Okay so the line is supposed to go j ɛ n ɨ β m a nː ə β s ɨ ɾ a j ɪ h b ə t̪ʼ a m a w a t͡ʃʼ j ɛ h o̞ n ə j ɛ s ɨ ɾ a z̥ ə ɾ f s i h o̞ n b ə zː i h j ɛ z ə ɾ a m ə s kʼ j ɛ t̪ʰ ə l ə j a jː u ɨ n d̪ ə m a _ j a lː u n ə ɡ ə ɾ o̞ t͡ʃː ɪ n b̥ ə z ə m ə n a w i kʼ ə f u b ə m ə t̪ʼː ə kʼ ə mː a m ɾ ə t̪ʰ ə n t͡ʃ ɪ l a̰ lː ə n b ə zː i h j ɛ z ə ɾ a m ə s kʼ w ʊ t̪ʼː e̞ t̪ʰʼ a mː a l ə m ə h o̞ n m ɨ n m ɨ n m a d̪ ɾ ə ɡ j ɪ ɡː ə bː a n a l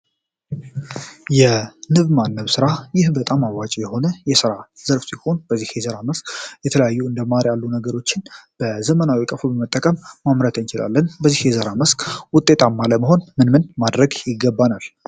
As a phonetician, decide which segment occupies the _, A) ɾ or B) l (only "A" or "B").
A